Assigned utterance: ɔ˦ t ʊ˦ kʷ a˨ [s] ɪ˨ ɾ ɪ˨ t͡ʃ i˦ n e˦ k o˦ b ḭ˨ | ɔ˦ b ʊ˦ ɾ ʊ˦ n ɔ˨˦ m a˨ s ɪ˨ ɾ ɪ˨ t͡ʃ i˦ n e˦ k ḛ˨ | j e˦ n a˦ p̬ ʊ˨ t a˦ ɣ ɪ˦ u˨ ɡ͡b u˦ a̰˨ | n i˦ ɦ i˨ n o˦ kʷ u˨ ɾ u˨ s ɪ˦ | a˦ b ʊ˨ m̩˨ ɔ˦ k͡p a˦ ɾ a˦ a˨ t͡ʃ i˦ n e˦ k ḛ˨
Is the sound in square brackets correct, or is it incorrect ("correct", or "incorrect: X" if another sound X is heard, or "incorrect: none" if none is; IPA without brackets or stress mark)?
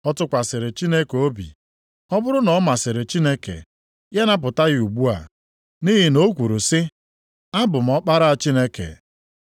correct